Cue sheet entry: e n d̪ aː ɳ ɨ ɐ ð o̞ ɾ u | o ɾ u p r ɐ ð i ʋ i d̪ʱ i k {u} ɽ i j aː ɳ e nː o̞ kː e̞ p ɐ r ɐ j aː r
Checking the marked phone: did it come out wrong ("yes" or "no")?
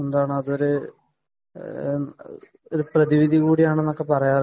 yes